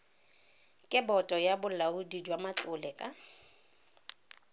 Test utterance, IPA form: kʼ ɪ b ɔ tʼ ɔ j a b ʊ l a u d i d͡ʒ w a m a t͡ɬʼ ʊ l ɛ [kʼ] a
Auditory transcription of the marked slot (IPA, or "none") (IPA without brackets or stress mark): kʼ